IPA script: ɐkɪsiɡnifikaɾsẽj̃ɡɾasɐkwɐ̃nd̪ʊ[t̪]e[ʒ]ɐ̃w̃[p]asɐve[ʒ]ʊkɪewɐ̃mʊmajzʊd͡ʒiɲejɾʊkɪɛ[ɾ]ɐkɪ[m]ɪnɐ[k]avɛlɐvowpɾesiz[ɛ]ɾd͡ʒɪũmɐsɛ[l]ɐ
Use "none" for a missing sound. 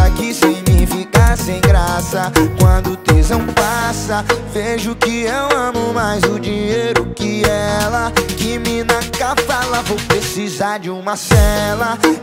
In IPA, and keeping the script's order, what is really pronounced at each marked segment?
t̪, z, p, ʒ, l, m, k, a, l

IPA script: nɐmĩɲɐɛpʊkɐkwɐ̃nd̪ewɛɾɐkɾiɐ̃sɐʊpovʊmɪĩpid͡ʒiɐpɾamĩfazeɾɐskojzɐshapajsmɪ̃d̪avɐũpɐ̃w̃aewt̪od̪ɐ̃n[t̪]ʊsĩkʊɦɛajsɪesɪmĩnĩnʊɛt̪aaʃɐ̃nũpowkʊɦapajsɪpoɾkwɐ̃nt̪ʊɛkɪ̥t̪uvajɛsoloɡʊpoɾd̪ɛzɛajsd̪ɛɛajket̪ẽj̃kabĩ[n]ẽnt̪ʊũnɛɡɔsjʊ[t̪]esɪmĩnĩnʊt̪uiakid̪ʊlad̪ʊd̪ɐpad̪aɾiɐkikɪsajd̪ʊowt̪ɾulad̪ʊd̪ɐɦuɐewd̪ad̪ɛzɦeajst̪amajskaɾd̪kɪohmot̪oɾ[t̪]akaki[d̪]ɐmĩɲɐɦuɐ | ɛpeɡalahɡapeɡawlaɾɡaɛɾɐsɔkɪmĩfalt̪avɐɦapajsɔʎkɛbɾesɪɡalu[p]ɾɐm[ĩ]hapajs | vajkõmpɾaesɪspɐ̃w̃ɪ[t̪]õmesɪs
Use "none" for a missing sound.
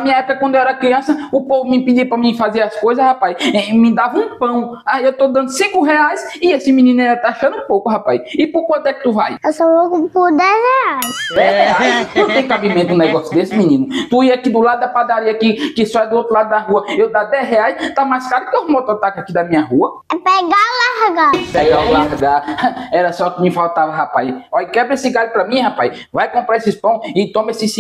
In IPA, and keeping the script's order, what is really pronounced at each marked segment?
d̪, m, d̪, t̪, d̪, p, ĩ, t̪

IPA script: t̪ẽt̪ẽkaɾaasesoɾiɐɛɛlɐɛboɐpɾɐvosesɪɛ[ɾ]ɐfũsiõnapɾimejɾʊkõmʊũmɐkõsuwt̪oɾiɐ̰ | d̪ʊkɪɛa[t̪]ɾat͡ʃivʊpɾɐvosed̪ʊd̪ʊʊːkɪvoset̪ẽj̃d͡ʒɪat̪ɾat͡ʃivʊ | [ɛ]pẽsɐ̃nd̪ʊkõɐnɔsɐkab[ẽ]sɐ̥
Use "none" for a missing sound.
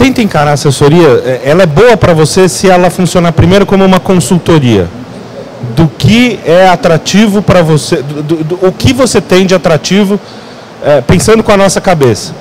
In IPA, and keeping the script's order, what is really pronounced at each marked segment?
l, t̪, ɛ, e

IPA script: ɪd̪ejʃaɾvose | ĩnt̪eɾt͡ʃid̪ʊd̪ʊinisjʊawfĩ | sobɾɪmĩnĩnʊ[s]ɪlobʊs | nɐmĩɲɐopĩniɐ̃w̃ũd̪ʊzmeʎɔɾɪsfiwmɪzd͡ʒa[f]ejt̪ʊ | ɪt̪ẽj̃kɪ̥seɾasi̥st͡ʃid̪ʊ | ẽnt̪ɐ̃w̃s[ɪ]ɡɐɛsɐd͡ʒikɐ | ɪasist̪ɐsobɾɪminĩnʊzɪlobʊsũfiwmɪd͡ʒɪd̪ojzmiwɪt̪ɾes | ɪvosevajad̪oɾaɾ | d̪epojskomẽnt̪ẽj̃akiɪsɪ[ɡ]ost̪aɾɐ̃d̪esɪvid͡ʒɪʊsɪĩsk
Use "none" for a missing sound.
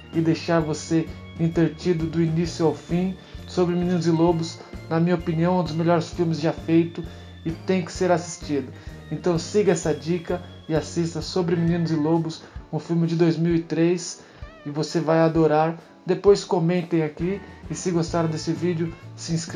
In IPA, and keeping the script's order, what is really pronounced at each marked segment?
z, f, i, ɡ

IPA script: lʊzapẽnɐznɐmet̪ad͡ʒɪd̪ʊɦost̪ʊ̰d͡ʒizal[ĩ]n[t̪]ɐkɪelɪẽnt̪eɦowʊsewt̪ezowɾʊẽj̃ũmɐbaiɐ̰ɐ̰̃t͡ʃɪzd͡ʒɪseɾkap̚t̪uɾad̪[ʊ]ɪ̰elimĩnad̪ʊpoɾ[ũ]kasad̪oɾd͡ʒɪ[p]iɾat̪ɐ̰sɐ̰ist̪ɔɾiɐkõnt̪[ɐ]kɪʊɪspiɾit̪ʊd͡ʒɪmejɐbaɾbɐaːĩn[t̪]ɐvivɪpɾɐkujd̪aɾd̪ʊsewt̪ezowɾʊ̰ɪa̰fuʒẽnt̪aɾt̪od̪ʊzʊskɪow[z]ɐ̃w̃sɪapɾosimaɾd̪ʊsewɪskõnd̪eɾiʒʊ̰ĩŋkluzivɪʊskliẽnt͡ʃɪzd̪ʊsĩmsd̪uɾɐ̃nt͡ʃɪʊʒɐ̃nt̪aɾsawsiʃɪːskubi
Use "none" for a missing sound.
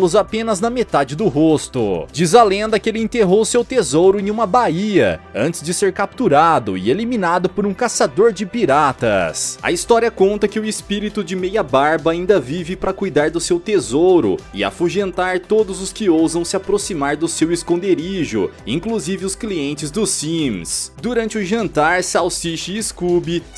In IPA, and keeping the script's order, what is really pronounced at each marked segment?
ẽ, d̪, ʊ, ũ, p, ɐ, d̪, z

